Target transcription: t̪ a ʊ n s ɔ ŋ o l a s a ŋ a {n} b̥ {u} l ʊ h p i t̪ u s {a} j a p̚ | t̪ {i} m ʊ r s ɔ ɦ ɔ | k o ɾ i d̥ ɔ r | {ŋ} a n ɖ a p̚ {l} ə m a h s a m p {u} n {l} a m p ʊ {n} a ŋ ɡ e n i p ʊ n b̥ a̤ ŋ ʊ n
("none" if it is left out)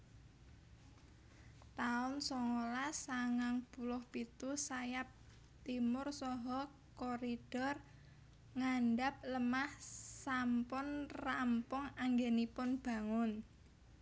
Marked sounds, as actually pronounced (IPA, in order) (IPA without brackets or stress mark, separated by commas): ŋ, u, a, i, ŋ, l, ʊ, r, ŋ